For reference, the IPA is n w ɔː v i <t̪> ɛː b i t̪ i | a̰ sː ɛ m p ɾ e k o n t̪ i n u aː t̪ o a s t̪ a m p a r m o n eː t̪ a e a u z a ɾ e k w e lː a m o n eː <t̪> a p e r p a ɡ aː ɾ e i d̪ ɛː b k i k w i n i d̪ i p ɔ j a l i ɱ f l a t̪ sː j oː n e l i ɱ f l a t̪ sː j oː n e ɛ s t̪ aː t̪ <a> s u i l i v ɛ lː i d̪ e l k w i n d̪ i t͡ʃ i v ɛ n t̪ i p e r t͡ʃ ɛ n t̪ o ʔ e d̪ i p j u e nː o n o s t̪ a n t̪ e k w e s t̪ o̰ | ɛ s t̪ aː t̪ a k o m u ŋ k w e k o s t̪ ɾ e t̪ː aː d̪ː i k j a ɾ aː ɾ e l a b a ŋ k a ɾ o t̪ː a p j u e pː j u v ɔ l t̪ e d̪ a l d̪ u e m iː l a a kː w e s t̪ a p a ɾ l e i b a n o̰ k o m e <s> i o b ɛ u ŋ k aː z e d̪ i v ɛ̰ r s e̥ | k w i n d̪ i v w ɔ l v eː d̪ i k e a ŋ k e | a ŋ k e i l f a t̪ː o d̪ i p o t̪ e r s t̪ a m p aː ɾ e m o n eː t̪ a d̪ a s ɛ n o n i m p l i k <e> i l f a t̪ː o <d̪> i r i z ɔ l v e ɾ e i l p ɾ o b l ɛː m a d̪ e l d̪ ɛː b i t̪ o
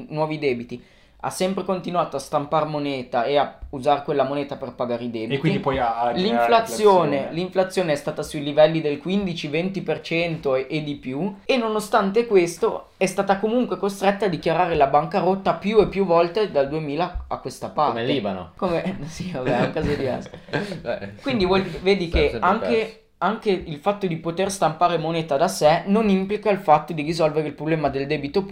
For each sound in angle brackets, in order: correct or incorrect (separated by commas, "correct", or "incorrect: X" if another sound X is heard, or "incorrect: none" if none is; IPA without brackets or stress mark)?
incorrect: d̪, correct, correct, correct, incorrect: a, correct